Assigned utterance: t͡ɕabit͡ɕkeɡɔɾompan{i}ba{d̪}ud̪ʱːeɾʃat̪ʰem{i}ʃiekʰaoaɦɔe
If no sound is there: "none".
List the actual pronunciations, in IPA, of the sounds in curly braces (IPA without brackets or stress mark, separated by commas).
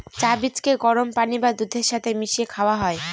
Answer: i, d̪, i